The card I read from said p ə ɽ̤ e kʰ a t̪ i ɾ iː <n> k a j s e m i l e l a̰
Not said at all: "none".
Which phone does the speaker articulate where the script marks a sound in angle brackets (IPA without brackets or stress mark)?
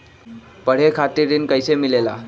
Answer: n